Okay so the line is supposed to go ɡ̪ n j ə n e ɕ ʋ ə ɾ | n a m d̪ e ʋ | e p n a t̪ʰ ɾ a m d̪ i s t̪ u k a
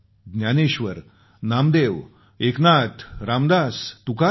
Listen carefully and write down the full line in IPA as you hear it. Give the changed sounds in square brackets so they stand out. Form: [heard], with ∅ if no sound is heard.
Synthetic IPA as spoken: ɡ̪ n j [a] n e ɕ ʋ ə ɾ | n a m d̪ e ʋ | e [k] n a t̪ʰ ɾ a m d̪ [a] s t̪ u k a